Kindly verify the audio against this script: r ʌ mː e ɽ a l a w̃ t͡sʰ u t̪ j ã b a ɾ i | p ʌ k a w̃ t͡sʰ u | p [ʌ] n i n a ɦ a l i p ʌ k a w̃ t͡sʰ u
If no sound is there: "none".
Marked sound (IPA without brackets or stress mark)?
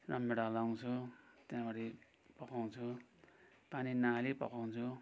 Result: a